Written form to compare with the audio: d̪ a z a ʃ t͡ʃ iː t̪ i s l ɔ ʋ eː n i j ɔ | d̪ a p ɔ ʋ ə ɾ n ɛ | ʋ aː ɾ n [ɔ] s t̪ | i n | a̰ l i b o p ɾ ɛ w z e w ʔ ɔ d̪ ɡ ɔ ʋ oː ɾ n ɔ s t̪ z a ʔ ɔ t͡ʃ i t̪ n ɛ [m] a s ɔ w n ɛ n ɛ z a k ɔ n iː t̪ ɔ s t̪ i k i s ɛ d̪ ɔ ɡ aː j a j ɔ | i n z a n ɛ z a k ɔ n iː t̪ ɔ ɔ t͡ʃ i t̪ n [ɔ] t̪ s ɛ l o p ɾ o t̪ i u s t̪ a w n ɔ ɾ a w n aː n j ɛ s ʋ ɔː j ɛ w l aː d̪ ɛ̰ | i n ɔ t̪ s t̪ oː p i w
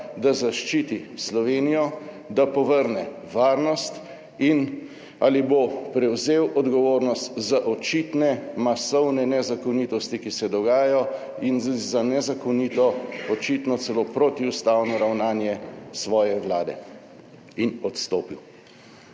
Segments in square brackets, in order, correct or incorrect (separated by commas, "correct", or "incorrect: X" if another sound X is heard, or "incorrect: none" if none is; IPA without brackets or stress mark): correct, correct, correct